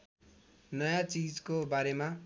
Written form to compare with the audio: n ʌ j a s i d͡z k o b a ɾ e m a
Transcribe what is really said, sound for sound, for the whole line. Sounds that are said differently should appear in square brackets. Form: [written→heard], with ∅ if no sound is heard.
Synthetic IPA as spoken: n ʌ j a [s→t͡s] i d͡z k o b a ɾ e m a